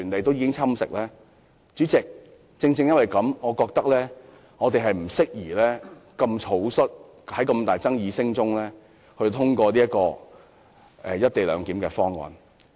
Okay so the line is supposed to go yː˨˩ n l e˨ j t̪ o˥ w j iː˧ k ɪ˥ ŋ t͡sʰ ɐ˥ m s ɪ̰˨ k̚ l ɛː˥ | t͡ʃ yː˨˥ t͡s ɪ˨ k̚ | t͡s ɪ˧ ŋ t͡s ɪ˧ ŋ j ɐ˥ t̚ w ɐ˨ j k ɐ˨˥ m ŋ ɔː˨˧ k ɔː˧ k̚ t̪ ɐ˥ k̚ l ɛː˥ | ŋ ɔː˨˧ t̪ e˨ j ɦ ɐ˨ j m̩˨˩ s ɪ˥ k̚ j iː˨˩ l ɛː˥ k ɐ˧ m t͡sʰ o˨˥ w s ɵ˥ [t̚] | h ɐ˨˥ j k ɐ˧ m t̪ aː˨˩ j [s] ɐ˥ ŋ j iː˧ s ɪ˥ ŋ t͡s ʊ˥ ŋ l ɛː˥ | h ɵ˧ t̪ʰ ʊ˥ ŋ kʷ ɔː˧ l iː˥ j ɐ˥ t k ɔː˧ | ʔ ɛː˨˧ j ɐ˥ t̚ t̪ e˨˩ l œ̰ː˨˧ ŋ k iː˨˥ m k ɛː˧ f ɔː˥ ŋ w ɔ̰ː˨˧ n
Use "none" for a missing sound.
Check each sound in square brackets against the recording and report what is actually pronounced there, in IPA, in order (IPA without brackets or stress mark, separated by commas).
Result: t̚, t͡s